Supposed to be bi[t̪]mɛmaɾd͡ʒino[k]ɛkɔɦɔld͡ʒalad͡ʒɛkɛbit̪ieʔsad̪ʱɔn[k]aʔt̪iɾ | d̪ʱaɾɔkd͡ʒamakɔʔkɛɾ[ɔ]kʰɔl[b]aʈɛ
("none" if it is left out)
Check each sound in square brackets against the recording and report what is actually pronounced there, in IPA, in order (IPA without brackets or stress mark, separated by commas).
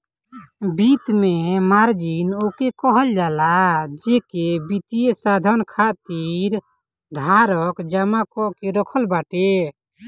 t̪, k, kʰ, ɔ, b